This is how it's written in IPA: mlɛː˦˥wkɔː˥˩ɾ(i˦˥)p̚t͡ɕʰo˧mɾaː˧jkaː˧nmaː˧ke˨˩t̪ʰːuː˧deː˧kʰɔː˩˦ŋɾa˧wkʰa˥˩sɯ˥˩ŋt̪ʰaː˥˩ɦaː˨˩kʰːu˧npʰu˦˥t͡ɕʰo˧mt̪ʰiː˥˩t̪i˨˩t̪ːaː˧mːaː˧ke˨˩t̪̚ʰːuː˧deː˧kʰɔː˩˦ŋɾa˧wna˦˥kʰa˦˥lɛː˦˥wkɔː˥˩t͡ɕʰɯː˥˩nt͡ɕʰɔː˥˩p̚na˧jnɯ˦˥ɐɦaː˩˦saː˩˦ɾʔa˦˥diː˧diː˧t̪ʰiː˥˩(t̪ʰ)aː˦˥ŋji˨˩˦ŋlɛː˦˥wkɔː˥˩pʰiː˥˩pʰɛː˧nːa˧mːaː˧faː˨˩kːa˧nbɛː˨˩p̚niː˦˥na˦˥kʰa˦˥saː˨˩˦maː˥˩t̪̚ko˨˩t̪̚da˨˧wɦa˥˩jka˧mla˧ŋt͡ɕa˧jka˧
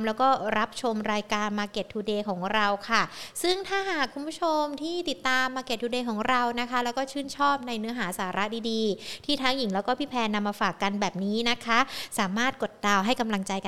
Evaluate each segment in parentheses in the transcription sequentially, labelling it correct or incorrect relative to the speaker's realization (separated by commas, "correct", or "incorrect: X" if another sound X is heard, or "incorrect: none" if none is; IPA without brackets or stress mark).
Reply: incorrect: a˦˥, correct